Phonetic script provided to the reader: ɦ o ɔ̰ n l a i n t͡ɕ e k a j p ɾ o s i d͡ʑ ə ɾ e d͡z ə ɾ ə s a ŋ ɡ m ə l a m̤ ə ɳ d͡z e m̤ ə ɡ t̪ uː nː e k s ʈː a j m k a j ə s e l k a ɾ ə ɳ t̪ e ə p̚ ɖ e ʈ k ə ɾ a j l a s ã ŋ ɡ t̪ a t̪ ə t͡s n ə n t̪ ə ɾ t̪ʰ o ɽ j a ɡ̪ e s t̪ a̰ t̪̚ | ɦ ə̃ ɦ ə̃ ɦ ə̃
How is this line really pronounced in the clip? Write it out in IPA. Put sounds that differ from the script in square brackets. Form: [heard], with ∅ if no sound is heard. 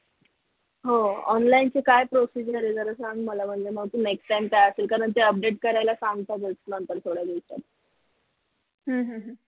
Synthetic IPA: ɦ o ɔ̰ n l a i n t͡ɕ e k a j p ɾ o s i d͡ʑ ə ɾ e d͡z ə ɾ ə s a ŋ ɡ m ə l a m̤ ə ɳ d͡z e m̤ ə ɡ t̪ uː [n] e k s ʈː a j m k a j ə s e l k a ɾ ə ɳ t̪ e ə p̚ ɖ e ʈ k ə ɾ a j l a s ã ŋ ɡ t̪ a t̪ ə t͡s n ə n t̪ ə ɾ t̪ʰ o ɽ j a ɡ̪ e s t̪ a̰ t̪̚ | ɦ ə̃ ɦ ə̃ ɦ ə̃